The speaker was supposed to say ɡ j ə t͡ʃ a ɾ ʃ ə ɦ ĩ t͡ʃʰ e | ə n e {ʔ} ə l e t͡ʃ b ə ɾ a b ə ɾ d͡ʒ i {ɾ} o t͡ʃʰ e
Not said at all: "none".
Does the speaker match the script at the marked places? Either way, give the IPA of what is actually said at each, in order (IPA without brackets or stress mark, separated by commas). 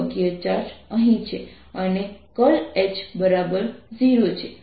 k, ɾ